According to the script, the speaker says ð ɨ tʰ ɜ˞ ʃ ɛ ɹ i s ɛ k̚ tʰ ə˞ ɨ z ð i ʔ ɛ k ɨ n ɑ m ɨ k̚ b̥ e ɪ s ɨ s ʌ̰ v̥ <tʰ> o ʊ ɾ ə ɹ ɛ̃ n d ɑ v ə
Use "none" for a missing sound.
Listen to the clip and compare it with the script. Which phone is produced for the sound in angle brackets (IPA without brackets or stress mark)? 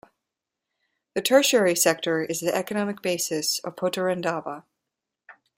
pʰ